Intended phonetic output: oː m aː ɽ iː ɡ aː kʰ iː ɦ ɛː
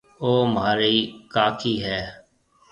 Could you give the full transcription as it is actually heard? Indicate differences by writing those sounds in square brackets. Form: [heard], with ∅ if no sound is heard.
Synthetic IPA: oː m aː [ɾ] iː [k] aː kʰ iː ɦ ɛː